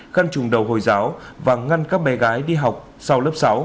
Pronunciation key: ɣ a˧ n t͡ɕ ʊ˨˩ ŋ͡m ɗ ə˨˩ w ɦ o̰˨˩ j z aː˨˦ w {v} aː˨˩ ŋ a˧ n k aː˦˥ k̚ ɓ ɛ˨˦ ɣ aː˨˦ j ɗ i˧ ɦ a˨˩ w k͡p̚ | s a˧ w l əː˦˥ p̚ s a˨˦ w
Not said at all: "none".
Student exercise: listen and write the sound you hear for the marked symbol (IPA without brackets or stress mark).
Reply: v